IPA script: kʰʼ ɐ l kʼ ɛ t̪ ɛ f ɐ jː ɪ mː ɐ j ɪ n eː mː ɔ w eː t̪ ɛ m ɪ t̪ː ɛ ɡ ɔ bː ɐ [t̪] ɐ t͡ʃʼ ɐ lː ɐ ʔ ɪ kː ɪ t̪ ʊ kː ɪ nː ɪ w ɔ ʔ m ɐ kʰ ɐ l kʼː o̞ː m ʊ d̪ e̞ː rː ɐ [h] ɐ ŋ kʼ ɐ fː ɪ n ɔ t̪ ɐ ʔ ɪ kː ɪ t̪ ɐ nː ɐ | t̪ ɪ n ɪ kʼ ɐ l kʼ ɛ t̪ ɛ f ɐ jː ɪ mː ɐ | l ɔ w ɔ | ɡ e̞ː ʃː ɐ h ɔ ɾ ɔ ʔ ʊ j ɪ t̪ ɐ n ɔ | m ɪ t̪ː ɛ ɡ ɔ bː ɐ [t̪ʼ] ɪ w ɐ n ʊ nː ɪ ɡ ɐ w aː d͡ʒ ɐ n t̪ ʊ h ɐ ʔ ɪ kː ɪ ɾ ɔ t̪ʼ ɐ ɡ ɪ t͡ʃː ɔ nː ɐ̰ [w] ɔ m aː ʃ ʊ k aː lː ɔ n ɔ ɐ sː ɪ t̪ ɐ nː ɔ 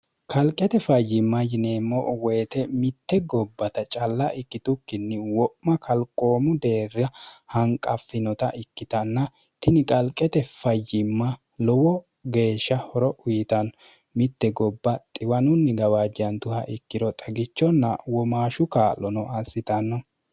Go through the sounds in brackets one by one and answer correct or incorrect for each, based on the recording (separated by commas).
correct, correct, correct, correct